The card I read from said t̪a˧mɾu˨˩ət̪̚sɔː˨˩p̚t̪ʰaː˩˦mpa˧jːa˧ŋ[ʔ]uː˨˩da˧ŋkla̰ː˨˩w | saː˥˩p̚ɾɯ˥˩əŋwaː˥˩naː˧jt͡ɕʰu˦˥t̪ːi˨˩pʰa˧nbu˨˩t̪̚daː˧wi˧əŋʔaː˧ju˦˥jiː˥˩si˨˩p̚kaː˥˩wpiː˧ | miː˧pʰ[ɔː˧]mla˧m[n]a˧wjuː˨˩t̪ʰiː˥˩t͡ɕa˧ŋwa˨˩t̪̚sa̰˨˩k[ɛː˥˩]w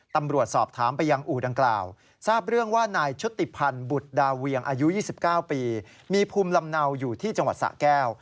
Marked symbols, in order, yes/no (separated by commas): yes, no, yes, yes